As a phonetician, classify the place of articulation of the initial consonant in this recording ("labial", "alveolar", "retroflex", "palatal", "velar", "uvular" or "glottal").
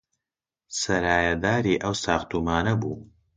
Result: alveolar